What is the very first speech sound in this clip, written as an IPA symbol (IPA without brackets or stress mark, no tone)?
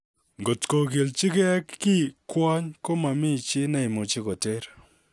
ŋ